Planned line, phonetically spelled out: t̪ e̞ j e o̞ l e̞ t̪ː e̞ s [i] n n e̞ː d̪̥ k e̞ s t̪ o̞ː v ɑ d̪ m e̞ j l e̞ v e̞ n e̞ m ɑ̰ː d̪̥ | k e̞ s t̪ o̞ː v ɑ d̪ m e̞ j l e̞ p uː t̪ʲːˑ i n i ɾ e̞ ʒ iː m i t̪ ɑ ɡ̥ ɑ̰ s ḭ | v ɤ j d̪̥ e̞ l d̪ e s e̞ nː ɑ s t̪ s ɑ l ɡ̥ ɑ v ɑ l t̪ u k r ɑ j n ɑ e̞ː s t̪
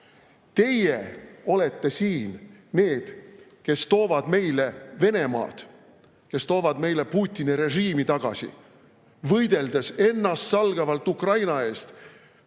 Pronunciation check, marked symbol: incorrect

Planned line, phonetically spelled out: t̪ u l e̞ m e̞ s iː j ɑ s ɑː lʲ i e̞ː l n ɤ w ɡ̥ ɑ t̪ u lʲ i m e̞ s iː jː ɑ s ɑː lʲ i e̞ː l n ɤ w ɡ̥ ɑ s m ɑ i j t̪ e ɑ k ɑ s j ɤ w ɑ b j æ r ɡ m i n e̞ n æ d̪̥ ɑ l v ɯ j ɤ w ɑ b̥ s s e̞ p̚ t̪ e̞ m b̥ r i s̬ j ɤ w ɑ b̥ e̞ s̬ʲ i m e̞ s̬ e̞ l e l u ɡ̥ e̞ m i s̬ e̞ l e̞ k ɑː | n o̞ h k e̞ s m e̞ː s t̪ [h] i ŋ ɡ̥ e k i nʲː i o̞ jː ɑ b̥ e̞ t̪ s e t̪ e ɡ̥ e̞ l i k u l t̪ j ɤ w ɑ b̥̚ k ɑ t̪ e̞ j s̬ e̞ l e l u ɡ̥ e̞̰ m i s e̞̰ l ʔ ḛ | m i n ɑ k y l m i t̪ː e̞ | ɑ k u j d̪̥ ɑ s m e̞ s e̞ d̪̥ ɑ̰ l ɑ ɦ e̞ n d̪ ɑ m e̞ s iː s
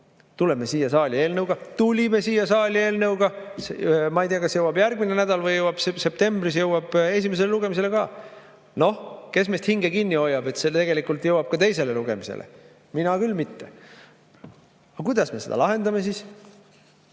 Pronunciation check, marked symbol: correct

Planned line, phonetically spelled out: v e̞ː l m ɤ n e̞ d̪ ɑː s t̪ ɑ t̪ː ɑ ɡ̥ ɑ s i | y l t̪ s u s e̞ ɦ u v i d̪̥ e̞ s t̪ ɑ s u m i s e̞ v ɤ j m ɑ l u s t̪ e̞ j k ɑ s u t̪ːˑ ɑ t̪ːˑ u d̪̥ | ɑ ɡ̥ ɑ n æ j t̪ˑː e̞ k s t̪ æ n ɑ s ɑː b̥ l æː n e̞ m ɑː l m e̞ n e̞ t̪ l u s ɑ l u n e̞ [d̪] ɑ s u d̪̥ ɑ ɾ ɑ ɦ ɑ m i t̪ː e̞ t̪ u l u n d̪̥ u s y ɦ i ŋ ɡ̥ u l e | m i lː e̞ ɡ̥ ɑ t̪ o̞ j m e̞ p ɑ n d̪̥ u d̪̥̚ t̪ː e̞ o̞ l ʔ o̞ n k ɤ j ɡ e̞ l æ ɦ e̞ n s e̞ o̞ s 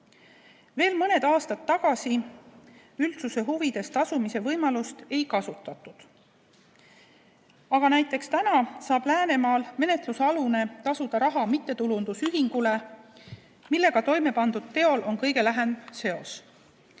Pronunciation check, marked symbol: incorrect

